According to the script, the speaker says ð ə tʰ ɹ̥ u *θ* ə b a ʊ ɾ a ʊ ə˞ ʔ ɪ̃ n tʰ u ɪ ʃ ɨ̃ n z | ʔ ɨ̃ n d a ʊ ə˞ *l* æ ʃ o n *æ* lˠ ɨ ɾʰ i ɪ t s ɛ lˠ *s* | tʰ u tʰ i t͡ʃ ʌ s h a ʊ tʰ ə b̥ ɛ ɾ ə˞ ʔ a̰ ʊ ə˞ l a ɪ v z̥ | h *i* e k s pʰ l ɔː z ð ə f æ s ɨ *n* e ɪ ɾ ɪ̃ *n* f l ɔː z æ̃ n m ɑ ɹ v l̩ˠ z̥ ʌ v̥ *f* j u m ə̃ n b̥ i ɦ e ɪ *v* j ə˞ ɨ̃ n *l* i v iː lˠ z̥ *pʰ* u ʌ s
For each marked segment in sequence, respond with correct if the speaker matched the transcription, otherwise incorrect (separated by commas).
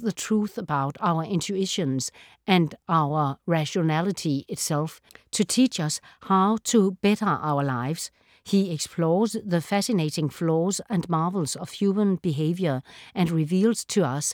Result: correct, incorrect, correct, incorrect, correct, correct, incorrect, incorrect, correct, incorrect, incorrect